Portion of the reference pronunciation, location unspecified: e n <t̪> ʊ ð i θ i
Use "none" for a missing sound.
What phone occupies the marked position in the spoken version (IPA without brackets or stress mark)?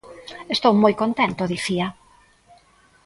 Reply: t̪